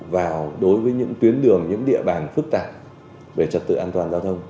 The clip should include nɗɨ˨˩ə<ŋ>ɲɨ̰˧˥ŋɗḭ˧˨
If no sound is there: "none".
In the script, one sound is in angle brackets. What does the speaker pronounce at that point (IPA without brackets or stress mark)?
ŋ